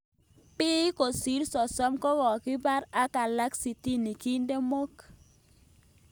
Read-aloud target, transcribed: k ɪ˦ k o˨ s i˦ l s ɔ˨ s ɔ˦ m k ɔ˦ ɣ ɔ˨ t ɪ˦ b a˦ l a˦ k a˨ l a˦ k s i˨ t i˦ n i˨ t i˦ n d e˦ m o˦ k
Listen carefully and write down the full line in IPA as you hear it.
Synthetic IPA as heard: p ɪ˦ k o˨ s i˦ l s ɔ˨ s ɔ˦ m k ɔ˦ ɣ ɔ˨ k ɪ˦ b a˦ ɾ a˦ k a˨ l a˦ k s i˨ t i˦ n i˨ k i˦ n d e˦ m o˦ k